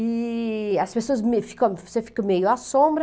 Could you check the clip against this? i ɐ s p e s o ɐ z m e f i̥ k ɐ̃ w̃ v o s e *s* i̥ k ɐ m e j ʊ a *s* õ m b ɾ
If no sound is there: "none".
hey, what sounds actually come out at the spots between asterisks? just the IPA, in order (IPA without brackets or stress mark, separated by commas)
f, s